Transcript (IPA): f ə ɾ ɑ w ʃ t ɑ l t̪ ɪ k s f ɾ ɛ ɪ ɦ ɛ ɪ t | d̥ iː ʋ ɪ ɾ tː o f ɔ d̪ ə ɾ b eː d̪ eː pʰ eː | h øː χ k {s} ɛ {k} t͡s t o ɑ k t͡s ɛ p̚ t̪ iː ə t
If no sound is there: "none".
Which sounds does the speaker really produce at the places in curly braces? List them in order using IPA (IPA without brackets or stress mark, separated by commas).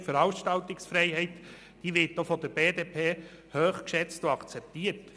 ʃ, none